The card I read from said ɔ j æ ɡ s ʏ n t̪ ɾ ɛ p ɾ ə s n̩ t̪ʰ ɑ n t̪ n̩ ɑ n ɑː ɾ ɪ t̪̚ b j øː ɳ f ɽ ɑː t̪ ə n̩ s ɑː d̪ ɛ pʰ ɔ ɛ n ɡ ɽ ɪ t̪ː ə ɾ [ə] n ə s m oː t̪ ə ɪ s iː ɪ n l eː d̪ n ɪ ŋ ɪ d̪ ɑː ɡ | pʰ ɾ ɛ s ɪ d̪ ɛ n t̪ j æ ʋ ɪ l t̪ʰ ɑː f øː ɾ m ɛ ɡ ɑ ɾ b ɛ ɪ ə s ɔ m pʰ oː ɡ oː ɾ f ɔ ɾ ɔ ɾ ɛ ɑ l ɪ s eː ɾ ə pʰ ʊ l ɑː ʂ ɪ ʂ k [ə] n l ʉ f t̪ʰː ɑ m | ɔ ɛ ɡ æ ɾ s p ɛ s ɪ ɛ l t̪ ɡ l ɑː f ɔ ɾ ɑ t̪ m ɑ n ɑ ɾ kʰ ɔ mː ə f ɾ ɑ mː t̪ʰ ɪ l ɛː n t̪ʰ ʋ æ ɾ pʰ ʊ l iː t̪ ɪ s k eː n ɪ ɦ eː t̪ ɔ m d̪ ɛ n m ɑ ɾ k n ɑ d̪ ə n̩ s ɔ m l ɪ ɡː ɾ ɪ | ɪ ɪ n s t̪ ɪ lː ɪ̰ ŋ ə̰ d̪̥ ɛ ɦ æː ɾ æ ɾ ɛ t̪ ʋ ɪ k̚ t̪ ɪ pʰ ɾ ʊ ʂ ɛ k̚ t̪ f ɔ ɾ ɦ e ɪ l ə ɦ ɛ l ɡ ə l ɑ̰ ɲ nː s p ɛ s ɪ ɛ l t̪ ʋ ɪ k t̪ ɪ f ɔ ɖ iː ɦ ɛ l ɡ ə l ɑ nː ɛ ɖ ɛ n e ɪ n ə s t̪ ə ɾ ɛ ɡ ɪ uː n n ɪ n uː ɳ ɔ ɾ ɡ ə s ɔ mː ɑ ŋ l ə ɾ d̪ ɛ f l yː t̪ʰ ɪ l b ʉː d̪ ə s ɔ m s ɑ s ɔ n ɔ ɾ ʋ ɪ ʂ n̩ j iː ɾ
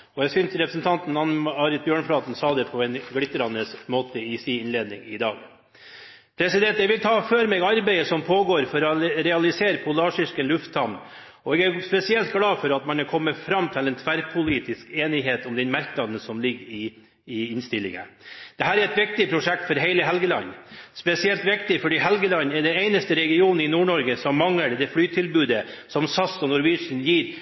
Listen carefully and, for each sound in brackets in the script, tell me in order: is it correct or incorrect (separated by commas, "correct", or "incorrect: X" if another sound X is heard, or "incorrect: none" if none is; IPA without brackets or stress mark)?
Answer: incorrect: ɑ, correct